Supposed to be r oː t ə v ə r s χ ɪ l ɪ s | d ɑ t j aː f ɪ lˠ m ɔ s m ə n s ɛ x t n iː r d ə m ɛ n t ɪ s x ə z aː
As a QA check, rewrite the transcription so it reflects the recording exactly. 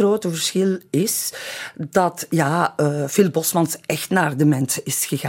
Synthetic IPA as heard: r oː t ə v ə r s x ɪ l ɪ s | d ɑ t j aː f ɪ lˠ b ɔ s m ɑ n s ɛ x t n aː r d ə m ɛ n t ɪ s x ə ɣ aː